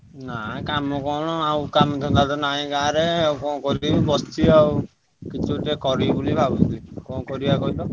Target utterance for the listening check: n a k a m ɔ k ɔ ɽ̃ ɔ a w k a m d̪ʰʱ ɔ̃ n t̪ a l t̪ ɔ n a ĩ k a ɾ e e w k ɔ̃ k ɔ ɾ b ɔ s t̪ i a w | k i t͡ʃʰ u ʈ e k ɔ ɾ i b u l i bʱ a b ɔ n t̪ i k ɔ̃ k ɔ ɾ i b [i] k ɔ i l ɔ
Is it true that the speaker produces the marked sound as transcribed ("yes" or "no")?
no